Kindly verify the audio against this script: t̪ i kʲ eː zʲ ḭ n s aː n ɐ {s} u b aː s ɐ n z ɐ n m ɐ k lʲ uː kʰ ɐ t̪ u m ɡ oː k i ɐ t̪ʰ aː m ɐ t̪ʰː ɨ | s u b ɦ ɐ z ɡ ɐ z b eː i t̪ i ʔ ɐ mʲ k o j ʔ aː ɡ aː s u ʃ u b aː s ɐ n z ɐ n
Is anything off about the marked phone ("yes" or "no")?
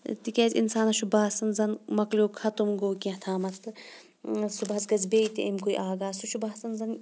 yes